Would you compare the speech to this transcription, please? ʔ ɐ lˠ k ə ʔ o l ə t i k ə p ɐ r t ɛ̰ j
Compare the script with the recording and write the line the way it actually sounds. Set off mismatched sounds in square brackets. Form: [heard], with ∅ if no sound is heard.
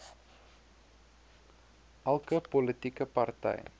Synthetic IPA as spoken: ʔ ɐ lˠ k ə [p] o l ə t i k ə p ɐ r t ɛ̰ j